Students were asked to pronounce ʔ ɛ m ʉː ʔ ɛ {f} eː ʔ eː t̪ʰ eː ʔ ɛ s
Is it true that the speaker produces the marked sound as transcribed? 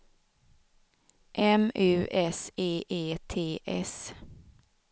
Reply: no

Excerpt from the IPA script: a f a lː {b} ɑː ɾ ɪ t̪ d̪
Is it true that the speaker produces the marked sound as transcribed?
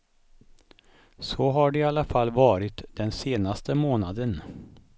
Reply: no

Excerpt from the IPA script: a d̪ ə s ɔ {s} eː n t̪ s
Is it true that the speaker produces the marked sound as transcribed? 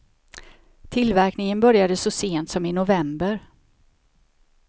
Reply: yes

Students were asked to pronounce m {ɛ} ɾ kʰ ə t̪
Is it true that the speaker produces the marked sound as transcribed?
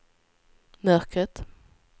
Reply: no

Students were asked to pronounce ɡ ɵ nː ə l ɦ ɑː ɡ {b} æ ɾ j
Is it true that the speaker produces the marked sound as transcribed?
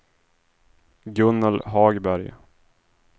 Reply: yes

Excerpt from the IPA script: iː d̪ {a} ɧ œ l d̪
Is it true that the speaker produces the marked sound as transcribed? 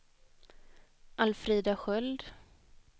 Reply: yes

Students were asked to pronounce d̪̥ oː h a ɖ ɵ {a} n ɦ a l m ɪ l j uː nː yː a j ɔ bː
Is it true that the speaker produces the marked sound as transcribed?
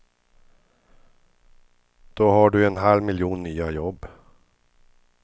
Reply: no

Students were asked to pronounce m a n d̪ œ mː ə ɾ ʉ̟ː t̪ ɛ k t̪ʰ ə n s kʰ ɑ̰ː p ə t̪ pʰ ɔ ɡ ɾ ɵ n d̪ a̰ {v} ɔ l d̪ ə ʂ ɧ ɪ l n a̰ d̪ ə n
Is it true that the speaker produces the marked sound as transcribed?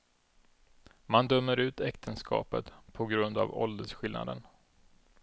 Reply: yes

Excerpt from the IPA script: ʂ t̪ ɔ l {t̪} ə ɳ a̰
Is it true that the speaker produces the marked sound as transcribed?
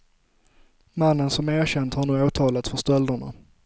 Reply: no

